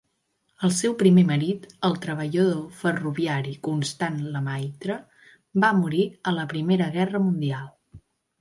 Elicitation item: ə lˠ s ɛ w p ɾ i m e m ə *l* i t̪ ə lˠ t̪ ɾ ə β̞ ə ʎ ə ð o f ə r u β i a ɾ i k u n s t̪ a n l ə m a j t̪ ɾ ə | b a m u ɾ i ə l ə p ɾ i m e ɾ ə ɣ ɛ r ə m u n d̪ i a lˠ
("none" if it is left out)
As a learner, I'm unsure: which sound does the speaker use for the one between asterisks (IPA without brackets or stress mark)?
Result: ɾ